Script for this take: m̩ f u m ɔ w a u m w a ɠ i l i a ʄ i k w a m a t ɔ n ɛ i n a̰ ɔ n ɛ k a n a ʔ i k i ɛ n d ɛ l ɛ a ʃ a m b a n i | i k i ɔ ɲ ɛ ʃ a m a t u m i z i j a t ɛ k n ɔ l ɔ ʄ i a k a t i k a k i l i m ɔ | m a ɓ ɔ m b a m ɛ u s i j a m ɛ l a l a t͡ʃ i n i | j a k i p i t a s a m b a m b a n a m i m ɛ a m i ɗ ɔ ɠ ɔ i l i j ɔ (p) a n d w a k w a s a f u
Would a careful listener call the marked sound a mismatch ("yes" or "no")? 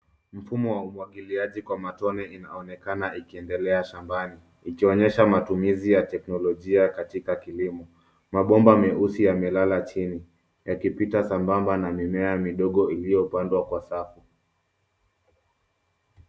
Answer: no